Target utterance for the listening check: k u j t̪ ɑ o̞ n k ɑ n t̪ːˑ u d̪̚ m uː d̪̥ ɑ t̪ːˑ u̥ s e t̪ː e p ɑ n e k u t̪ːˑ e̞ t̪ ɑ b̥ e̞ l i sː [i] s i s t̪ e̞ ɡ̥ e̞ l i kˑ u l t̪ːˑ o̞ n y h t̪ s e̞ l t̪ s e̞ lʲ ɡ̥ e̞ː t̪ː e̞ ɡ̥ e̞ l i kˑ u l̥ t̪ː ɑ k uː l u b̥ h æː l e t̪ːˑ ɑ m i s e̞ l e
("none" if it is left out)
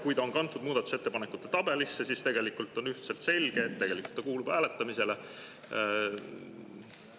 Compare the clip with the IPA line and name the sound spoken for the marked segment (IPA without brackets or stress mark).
e